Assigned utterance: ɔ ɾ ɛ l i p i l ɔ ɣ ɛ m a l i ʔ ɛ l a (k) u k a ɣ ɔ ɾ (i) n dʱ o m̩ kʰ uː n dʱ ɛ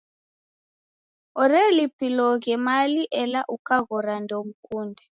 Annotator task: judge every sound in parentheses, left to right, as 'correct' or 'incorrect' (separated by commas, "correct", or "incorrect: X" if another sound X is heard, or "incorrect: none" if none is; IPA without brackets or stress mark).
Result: incorrect: ʔ, incorrect: a